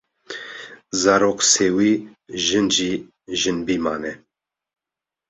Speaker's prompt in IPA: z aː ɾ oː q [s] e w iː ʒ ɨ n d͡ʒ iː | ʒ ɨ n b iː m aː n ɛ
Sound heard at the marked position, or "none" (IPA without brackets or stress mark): s